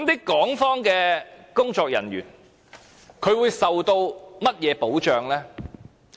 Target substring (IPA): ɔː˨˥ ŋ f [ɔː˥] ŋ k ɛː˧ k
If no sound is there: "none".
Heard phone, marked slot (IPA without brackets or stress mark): ɔː˥